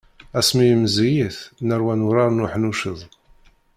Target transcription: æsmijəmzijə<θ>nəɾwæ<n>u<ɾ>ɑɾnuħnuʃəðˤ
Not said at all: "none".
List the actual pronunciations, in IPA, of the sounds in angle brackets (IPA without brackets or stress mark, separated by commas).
θ, n, ɾ